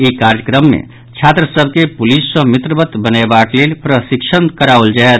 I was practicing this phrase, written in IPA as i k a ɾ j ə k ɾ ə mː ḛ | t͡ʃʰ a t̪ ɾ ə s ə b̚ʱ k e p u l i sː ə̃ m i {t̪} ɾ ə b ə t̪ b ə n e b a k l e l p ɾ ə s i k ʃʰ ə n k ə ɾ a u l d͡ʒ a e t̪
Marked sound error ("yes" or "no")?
no